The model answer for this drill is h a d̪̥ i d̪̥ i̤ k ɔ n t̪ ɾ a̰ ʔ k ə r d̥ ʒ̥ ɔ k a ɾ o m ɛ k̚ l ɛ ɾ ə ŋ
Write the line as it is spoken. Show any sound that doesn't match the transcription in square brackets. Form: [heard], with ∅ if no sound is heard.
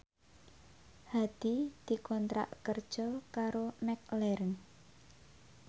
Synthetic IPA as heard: h a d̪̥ i d̪̥ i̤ k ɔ n t̪ ɾ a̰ ʔ k ə r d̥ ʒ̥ ɔ k a ɾ o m ɛ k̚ l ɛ ɾ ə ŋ